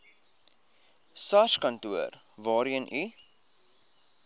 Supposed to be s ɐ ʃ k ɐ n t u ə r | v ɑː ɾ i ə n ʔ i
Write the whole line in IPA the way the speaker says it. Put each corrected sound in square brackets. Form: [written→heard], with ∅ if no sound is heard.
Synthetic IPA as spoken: s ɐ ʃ k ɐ n t u ə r | v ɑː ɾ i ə n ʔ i